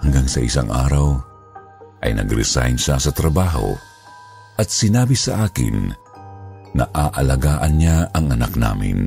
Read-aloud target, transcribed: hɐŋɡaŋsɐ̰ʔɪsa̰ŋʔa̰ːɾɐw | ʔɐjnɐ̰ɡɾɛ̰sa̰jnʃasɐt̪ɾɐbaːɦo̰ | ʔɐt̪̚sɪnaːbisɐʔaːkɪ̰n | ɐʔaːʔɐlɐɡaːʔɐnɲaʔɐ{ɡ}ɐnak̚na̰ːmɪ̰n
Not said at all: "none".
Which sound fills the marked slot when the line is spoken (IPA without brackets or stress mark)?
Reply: ŋ